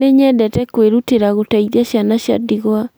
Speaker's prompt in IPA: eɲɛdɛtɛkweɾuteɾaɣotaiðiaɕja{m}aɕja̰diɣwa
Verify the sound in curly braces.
incorrect: n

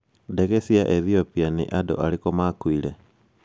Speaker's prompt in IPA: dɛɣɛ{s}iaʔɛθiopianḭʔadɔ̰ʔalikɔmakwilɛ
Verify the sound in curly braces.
correct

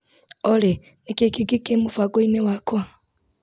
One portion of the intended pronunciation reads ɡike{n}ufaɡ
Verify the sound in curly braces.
incorrect: m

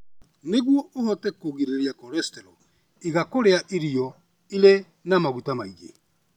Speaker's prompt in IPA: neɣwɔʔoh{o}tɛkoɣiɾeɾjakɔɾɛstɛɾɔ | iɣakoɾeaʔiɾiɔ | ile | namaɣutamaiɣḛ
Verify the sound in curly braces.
incorrect: ɔ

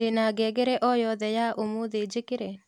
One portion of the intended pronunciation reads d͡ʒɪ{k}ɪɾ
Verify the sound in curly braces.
correct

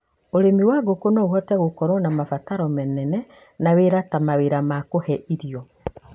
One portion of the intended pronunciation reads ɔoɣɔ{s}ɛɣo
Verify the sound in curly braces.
incorrect: t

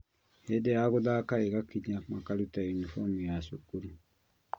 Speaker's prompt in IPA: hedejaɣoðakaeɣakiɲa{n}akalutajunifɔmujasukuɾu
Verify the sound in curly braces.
incorrect: m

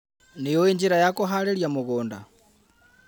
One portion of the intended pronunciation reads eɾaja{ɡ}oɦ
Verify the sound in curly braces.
incorrect: k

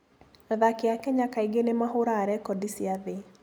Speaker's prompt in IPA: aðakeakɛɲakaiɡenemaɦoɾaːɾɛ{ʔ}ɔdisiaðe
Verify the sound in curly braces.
incorrect: k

